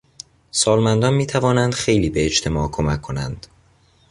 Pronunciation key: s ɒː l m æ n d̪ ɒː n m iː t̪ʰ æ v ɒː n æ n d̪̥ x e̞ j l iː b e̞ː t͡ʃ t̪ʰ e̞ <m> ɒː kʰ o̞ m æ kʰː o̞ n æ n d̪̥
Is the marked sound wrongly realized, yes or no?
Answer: no